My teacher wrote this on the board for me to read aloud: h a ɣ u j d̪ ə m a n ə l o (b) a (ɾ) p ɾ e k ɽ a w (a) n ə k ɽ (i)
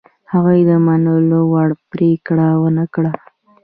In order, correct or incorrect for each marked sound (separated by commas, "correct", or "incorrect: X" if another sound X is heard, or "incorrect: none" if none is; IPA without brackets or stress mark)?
incorrect: w, incorrect: ɽ, incorrect: ə, incorrect: a